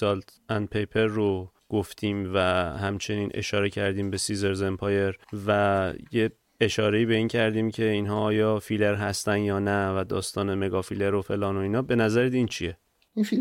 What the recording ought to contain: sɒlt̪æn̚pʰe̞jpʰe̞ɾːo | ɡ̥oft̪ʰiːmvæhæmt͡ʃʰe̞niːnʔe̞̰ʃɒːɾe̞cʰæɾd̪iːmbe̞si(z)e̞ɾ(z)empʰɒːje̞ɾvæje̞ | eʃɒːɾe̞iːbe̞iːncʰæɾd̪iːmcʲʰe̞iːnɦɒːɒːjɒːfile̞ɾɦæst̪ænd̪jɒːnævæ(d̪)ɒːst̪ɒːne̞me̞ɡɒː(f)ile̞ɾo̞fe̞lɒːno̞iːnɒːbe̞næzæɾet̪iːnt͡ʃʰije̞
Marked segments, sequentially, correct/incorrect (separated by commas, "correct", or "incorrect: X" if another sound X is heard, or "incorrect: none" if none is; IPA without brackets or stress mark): correct, correct, correct, correct